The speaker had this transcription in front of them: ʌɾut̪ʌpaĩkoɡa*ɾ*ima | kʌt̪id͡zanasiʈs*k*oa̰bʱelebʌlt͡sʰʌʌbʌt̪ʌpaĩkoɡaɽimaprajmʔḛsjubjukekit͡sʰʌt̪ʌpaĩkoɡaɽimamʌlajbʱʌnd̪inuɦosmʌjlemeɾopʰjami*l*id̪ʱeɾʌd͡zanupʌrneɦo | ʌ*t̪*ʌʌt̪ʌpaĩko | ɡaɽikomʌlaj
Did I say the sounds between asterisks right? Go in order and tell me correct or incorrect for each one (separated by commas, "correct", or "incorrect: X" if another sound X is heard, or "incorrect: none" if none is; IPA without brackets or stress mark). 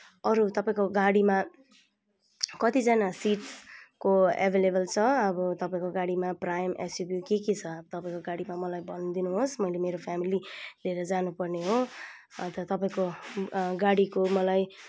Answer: incorrect: ɽ, correct, correct, correct